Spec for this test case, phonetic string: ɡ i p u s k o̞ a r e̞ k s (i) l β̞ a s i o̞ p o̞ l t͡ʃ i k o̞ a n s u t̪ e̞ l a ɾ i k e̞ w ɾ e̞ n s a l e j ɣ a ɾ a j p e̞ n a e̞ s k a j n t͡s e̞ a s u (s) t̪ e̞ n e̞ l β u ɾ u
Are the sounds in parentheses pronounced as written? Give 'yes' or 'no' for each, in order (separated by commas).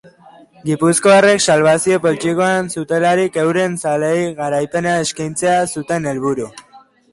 no, no